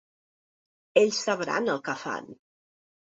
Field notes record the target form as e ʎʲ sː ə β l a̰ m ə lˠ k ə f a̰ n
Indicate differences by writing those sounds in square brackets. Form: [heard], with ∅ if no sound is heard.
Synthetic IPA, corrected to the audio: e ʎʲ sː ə β [ɾ] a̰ [n] ə lˠ k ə f a̰ n